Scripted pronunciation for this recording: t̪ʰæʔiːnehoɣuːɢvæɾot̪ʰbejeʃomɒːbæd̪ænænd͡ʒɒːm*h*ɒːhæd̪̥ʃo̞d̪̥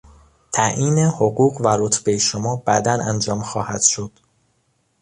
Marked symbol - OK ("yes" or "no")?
no